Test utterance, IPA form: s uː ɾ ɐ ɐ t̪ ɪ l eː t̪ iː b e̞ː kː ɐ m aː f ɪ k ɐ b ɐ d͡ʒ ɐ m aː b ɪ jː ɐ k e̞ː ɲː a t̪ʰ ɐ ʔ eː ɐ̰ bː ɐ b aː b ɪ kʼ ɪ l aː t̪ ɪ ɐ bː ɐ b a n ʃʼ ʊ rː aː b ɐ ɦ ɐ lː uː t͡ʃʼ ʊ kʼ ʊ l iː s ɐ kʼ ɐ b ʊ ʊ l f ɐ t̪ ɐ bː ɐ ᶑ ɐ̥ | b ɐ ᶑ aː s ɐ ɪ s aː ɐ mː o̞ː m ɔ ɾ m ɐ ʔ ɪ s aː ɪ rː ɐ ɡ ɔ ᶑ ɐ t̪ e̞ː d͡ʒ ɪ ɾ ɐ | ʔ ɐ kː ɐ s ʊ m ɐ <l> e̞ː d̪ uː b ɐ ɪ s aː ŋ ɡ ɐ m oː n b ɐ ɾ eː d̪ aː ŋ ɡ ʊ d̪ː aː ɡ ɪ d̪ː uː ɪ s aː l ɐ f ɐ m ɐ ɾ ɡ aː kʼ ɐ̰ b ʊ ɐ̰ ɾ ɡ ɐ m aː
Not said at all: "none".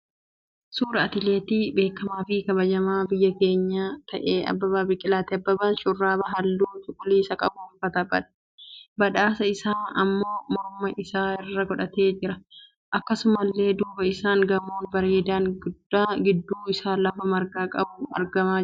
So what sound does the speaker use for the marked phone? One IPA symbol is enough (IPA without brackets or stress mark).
lː